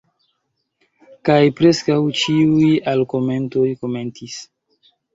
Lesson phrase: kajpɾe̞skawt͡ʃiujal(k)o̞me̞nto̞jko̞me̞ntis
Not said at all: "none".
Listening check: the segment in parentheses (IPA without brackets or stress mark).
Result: k